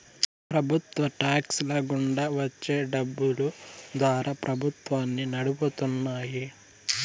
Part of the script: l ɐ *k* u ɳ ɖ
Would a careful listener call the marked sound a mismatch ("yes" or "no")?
yes